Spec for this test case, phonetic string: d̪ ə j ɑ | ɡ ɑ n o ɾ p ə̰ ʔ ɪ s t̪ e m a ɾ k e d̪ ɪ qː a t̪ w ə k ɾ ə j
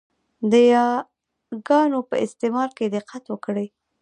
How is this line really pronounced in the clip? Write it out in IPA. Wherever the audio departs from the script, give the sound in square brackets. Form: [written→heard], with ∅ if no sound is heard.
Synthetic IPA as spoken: d̪ ə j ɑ | ɡ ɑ n o [ɾ→∅] p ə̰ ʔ ɪ s t̪ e m [a→ɑ] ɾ k e d̪ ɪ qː a t̪ w ə k [ɾ→ɽ] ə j

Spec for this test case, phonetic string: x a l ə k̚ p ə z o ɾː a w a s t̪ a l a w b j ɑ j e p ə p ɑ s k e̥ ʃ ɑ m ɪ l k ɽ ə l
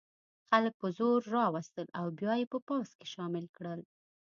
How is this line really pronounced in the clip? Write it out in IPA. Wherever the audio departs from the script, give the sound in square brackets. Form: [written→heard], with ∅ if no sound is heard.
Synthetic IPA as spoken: x a l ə k̚ p ə z o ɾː [a→ɑ] w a s t̪ [a→ə] l a w b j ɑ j e p ə p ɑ s k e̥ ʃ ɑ m ɪ l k ɽ ə l

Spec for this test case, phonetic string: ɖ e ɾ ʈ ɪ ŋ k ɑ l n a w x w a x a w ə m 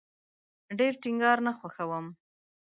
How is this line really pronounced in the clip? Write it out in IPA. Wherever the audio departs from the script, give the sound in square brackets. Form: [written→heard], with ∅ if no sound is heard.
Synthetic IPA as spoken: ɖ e ɾ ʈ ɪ ŋ [k→ɡ] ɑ [l→ɾ] n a [w→∅] x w a x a w ə m

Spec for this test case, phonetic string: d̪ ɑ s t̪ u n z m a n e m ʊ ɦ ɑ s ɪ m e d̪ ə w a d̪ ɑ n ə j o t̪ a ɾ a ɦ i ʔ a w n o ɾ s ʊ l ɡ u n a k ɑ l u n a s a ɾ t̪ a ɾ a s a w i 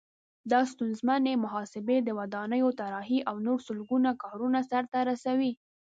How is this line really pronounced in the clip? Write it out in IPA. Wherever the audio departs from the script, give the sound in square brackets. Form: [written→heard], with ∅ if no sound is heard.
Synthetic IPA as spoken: d̪ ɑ s t̪ u n z m a n e m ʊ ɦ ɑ s ɪ [m→b] e d̪ ə w a d̪ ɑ n ə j o t̪ a ɾ [a→ɑ] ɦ i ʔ a w n o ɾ s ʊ l ɡ u n a k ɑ [l→ɾ] u n a s a ɾ t̪ a ɾ a s a w i

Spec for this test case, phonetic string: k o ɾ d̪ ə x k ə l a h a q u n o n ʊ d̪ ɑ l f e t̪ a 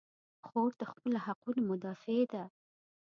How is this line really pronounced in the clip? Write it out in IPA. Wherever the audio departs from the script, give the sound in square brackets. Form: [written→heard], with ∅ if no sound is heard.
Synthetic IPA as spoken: [k→x] o ɾ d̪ ə x [k→p] ə l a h a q u n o [n→m] ʊ d̪ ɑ [l→∅] f e [t̪→d̪] a

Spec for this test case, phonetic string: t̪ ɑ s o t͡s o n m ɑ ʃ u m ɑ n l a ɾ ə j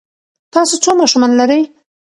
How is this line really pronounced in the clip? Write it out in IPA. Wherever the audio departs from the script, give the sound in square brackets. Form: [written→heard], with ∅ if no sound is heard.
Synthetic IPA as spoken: t̪ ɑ s o t͡s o [n→∅] m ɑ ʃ u m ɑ n l a ɾ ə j

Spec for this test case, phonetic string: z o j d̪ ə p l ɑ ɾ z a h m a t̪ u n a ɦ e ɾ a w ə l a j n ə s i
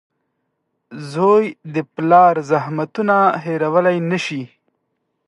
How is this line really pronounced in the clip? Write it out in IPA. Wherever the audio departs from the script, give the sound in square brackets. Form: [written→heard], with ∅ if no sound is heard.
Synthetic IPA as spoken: z o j d̪ ə p l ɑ ɾ z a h m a t̪ u n a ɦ e ɾ a w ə l a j n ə [s→ʃ] i

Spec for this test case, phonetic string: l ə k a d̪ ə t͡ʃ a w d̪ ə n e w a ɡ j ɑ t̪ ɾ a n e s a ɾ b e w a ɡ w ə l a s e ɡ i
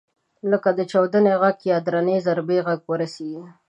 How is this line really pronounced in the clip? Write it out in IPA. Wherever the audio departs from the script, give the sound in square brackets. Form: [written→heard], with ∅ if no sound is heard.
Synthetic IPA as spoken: l ə k a d̪ ə t͡ʃ a w d̪ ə n e [w→ɣ] a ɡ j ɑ [t̪→d̪] ɾ a n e [s→z] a ɾ b e [w→ɣ] a ɡ w ə [l→ɾ] a s e ɡ i

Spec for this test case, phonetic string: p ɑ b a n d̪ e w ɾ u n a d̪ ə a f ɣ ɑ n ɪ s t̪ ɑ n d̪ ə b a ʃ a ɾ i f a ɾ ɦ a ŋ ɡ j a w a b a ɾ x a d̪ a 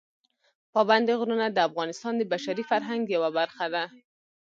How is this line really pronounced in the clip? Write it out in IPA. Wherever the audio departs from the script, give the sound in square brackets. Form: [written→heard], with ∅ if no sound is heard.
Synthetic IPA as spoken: p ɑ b a n d̪ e [w→ɣ] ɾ u n a d̪ ə a f ɣ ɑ n ɪ s t̪ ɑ n d̪ ə b a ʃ a ɾ i f a ɾ ɦ a ŋ ɡ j a w a b a ɾ x a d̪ a

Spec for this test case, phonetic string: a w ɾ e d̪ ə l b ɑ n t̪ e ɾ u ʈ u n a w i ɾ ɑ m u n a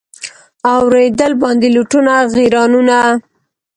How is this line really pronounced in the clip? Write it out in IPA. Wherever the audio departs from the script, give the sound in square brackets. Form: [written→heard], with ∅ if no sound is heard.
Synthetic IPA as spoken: a w ɾ e d̪ ə l b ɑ n [t̪→d̪] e [ɾ→l] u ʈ u n a [w→ɣ] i ɾ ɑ [m→n] u n a

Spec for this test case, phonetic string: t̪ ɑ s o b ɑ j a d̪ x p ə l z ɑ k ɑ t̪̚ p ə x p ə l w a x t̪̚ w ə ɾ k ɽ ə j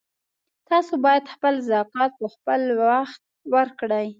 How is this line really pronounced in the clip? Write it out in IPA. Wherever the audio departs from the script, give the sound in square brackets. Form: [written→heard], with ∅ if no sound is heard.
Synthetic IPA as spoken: t̪ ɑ s o b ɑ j a d̪ x p ə l z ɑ k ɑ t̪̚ p ə x p ə l w a x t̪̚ w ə ɾ k ɽ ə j

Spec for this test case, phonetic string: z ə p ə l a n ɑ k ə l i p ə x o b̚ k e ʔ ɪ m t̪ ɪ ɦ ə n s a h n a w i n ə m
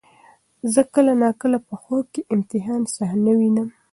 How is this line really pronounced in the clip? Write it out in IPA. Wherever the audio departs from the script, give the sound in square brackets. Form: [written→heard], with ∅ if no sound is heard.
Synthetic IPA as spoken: z ə [p→k] ə l a n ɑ k ə l [i→a] p ə x o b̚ k e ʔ ɪ m t̪ ɪ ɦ [ə→ɑ] n s a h n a w i n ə m

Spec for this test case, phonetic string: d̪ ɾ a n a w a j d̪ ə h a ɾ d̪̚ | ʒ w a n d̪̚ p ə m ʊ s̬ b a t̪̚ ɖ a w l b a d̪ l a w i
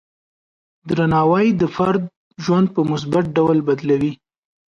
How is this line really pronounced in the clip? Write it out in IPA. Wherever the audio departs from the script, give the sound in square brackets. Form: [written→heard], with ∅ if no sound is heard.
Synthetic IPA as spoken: d̪ ɾ a n [a→ɑ] w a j d̪ ə [h→f] a ɾ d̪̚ | ʒ w a n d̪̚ p ə m ʊ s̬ b a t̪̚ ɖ a w l b a d̪ l a w i

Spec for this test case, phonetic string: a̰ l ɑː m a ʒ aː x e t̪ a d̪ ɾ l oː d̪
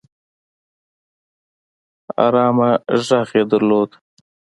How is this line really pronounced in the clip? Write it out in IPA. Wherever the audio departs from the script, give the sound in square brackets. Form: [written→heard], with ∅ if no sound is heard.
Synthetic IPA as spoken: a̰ [l→ɾ] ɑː m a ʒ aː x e [t̪→d̪] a [d̪→∅] ɾ l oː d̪

